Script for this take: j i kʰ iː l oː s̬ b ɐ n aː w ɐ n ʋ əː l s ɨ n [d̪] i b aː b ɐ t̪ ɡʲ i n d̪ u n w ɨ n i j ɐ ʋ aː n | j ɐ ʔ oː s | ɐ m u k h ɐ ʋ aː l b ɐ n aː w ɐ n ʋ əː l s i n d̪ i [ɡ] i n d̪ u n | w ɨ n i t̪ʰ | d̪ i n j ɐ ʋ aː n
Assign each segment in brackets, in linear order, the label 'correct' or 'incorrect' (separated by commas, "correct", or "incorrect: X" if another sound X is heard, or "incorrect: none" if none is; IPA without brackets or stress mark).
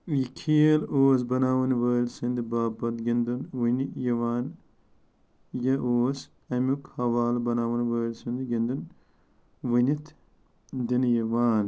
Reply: correct, correct